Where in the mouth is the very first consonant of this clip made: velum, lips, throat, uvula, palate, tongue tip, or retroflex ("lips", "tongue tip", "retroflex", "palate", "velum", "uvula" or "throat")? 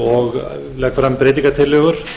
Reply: velum